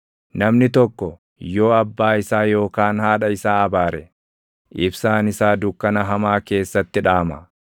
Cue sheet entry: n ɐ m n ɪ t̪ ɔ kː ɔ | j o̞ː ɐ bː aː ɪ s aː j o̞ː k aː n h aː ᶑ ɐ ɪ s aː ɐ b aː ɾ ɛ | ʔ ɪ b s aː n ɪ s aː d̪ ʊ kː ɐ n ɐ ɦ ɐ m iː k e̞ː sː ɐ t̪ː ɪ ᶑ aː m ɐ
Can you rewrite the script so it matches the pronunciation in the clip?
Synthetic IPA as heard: n ɐ m n ɪ t̪ ɔ kː ɔ | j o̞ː ɐ bː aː ɪ s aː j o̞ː k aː n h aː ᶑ ɐ ɪ s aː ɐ b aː ɾ ɛ | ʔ ɪ b s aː n ɪ s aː d̪ ʊ kː ɐ n ɐ ɦ ɐ m aː k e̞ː sː ɐ t̪ː ɪ ᶑ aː m ɐ